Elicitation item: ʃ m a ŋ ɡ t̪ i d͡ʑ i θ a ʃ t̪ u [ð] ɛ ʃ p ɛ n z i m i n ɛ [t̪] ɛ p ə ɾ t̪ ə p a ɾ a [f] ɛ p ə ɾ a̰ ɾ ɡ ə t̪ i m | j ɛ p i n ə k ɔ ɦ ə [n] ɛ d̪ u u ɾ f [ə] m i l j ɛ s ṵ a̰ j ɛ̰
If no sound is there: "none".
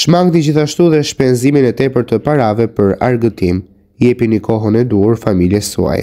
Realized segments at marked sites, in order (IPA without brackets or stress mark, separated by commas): ð, t̪, v, n, a